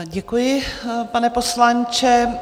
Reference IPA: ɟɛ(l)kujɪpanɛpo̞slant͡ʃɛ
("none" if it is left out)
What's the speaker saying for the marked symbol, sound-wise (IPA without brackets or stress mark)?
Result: none